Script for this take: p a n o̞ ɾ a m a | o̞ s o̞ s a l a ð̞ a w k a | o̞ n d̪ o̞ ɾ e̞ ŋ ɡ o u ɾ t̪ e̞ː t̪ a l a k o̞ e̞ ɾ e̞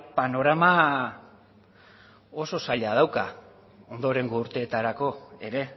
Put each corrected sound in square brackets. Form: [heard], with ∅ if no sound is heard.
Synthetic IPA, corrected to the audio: p a n o̞ ɾ a m a | o̞ s o̞ s a [ʎ] a ð̞ a w k a | o̞ n d̪ o̞ ɾ e̞ ŋ ɡ o u ɾ t̪ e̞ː t̪ a [ɾ] a k o̞ e̞ ɾ e̞